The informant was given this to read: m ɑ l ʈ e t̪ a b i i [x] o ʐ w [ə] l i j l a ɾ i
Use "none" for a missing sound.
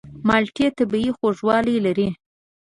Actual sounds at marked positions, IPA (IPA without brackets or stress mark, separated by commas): x, ɑ